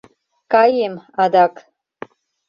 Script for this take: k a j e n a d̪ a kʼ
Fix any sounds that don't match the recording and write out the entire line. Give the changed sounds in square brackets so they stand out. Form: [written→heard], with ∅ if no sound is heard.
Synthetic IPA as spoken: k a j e [n→m] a d̪ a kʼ